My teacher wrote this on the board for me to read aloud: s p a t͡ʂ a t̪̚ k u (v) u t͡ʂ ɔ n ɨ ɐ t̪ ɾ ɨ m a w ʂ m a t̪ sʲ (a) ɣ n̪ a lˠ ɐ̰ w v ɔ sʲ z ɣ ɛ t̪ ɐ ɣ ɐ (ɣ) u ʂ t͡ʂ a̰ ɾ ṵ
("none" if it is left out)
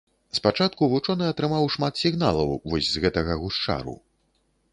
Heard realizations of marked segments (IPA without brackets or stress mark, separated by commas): v, i, ɣ